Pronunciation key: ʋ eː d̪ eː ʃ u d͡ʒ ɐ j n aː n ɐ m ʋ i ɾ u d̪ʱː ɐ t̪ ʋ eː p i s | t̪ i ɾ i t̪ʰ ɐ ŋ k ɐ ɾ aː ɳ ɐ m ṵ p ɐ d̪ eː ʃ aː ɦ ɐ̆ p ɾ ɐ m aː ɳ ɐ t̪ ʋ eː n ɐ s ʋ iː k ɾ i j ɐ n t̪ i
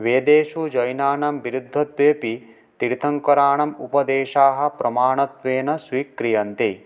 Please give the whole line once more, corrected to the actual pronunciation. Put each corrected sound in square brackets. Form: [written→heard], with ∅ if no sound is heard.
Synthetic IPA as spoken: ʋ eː d̪ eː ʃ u d͡ʒ ɐ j n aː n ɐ m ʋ i ɾ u d̪ʱː ɐ t̪ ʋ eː p i [s→∅] | t̪ i ɾ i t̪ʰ ɐ ŋ k ɐ ɾ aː ɳ ɐ m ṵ p ɐ d̪ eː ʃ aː ɦ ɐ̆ p ɾ ɐ m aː ɳ ɐ t̪ ʋ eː n ɐ s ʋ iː k ɾ i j ɐ n t̪ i